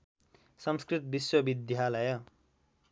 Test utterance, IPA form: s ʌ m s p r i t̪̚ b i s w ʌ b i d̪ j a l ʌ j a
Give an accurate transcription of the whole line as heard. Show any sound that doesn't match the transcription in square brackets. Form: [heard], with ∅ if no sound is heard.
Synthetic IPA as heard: s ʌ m s [k] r i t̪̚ b i s w ʌ b i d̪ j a l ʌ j [ʌ]